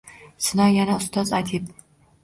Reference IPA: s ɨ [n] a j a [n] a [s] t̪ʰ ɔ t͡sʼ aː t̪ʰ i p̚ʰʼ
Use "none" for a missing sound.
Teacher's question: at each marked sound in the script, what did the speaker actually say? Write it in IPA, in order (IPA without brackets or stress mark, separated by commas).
n, n, s